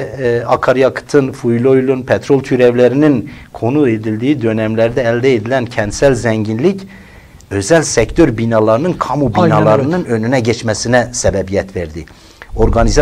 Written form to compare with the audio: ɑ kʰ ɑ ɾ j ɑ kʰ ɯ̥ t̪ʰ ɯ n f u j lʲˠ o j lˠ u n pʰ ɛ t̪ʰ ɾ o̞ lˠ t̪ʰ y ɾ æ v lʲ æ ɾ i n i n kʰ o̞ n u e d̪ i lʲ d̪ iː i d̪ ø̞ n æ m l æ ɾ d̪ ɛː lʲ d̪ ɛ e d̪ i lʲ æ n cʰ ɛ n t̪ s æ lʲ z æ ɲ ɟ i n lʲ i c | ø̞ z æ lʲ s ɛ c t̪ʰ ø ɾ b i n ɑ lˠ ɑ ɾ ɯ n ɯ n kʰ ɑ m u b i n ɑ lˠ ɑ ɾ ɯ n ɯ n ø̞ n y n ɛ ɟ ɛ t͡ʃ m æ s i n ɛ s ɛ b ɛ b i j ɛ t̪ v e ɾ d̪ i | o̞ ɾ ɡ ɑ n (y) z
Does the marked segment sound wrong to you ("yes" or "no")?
yes